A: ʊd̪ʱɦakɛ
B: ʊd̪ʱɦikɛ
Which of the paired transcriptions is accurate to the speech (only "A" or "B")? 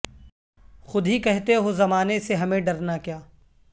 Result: B